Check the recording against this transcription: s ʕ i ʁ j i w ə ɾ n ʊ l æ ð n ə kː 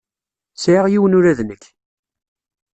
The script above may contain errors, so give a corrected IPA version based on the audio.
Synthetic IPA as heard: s ʕ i ʁ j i w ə n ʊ ɾ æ ð n ə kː